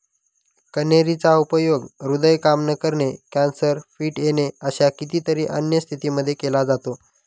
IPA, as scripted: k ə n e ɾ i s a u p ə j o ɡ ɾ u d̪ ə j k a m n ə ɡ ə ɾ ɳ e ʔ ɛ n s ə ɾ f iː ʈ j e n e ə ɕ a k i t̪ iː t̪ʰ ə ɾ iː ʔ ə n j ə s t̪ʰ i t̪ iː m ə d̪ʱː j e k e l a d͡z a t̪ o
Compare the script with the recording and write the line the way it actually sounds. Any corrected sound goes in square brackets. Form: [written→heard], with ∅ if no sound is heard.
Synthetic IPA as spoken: k ə n e ɾ i [s→t͡s] a u p ə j o ɡ ɾ u d̪ ə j k a m n ə [ɡ→k] ə ɾ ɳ e [ʔ→k] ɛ n s ə ɾ f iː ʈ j e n e ə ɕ a k i t̪ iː [t̪ʰ→t̪] ə ɾ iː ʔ ə n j ə s t̪ʰ i t̪ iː m ə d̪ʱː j e k e l a d͡z a t̪ o